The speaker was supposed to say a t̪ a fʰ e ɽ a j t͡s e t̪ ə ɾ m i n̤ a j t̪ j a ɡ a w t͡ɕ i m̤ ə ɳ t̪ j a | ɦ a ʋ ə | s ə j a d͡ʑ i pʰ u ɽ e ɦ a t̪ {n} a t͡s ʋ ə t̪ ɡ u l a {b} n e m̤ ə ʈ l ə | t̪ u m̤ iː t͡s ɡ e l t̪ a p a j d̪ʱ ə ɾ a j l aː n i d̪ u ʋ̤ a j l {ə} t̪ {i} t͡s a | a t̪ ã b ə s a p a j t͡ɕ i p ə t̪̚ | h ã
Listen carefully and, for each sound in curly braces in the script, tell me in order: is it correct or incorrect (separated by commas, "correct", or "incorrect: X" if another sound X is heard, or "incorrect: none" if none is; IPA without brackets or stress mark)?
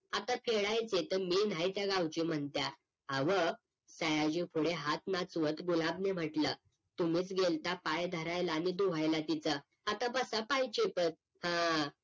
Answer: correct, correct, incorrect: a, correct